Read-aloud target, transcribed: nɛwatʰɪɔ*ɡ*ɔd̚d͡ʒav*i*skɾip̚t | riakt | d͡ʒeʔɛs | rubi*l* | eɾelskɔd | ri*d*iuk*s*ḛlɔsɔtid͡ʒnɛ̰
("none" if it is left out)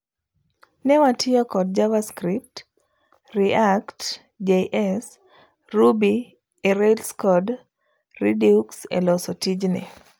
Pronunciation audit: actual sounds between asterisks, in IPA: k, a, none, d, s

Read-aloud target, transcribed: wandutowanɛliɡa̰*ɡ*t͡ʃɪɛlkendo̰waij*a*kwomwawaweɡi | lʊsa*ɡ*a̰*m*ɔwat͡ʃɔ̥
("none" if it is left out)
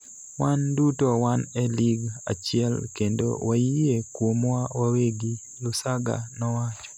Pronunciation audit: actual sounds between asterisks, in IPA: none, e, ɡ, n

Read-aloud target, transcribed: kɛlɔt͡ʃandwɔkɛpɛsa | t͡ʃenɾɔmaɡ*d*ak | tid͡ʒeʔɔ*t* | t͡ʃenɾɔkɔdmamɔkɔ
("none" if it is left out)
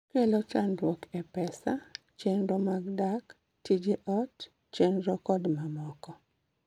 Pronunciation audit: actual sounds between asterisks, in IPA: d, t

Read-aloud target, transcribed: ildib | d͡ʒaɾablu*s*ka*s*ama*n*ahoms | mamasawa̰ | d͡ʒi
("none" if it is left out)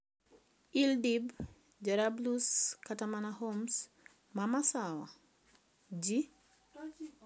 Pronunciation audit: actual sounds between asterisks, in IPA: s, t, n

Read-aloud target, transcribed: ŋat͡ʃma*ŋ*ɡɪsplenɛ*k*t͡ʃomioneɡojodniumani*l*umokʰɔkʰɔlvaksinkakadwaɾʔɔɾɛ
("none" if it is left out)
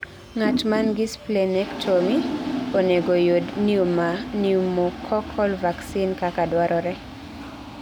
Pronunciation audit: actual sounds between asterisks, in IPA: n, k, none

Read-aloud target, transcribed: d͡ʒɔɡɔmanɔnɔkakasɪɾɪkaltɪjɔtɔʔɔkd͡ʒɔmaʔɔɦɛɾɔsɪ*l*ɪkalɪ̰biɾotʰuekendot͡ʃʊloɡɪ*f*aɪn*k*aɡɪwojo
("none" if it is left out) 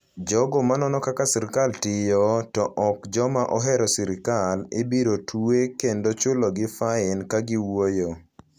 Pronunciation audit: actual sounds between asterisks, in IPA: ɾ, f, k

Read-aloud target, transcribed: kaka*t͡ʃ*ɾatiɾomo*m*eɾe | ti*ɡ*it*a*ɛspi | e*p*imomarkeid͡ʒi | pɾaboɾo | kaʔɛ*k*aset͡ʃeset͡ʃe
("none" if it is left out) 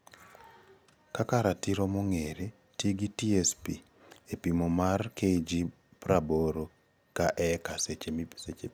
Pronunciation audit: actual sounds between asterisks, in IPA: none, ŋ, ɡ, i, p, k

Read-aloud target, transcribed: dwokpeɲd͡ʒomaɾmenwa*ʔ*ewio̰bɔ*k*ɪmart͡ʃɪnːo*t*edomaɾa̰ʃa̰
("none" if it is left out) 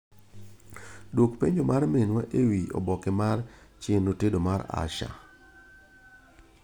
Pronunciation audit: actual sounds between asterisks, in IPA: ʔ, k, t

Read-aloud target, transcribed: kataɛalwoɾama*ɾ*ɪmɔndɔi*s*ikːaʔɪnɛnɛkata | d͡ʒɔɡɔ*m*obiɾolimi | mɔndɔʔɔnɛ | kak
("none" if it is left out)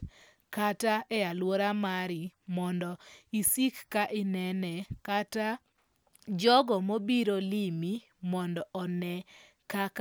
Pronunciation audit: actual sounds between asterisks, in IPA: ɾ, s, m

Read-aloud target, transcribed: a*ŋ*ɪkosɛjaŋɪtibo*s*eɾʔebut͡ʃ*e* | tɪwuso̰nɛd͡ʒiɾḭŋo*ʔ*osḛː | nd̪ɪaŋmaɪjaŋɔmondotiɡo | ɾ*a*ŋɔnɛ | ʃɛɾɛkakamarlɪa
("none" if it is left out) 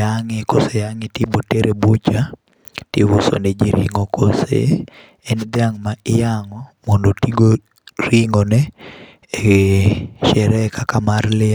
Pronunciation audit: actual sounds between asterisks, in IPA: ŋ, t, a, k, i

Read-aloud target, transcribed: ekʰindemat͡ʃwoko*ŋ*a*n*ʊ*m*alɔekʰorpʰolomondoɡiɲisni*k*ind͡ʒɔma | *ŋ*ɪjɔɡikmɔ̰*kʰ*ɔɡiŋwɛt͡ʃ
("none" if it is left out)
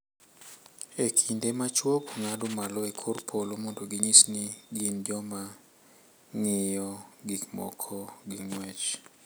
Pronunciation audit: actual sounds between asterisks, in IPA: ŋ, d, m, ɡ, ŋ, kʰ

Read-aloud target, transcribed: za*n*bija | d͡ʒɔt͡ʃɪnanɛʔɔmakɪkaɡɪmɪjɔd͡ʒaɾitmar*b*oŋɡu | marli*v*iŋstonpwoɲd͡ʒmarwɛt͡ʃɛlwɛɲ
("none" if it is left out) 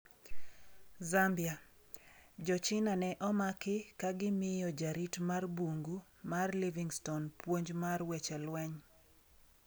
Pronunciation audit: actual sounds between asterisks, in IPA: m, b, v

